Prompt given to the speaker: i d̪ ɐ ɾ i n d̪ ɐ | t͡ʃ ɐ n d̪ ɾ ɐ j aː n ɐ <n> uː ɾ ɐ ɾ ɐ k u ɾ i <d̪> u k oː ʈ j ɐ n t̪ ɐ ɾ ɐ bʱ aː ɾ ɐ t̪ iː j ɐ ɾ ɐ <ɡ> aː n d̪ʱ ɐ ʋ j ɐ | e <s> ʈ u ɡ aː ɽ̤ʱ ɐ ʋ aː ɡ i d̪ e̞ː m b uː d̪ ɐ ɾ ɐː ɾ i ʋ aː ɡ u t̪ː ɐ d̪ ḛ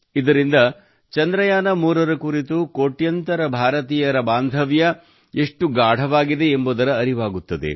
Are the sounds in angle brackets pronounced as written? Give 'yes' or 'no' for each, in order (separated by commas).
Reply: no, no, no, no